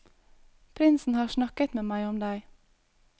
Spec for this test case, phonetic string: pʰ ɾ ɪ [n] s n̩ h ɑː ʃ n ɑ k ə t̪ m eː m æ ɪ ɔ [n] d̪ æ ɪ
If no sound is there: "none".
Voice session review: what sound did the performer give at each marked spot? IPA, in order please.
n, m

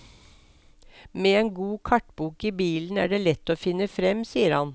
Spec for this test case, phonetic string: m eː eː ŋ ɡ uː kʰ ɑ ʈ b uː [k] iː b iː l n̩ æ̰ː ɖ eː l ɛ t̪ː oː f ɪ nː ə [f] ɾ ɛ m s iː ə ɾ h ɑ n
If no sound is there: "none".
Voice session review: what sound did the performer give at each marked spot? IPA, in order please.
k, f

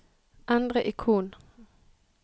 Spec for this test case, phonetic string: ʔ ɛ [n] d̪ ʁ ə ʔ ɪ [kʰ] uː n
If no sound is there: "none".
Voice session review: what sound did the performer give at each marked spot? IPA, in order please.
n, kʰ

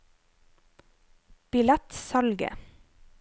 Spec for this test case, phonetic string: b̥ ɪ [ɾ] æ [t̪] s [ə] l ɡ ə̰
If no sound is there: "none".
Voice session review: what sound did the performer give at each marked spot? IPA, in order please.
l, t̪, ɑ

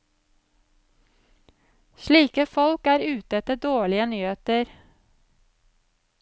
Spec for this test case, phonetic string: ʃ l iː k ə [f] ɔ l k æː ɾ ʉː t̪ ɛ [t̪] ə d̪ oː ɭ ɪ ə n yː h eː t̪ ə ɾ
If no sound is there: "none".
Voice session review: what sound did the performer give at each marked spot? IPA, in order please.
f, t̪

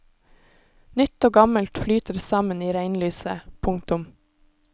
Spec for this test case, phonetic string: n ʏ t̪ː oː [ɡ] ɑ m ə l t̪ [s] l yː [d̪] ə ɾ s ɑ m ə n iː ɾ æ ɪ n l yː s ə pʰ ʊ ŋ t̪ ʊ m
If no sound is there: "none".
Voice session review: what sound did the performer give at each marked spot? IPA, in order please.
ɡ, f, t̪

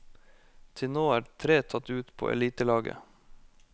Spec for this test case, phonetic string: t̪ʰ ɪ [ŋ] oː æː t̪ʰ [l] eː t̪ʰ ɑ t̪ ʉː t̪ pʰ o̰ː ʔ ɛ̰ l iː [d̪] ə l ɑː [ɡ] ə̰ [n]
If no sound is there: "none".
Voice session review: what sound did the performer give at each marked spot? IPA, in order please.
n, ɾ, t̪, ɡ, none

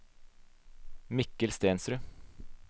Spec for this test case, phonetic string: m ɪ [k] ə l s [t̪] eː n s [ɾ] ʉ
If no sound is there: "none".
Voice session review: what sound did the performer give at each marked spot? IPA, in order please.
k, t̪, ɾ

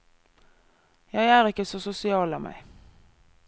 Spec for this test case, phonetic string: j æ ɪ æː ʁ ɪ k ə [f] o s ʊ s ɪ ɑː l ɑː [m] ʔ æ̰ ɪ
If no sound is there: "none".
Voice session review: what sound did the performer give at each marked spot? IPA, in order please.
s, m

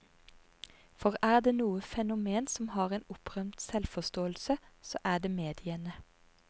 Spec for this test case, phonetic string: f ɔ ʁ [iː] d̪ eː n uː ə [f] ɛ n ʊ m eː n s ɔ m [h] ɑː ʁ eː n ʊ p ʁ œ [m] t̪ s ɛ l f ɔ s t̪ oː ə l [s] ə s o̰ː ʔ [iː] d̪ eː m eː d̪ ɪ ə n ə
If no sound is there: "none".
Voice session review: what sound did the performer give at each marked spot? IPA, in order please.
æː, f, h, m, s, æː

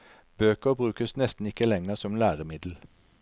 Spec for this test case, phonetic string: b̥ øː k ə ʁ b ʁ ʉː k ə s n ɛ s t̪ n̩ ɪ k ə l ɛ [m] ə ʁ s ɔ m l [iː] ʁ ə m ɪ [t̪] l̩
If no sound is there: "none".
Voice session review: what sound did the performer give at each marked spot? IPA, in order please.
ŋ, æː, d̪

